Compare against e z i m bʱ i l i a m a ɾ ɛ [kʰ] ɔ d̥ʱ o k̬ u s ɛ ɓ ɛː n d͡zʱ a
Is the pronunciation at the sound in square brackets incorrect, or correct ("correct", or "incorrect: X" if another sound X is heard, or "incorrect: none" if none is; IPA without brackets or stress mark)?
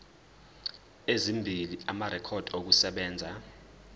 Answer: correct